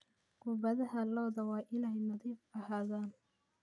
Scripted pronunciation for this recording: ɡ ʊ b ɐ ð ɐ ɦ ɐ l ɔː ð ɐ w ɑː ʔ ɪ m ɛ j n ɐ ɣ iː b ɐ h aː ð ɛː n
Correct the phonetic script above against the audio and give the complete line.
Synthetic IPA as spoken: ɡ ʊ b ɐ ð ɐ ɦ ɐ l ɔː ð ɐ w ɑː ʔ ɪ n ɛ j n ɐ ð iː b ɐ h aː ð aː n